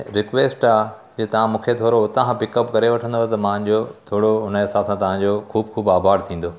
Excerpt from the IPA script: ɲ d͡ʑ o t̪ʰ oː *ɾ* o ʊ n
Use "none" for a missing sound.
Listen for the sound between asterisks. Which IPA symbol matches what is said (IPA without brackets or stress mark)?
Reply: ɽ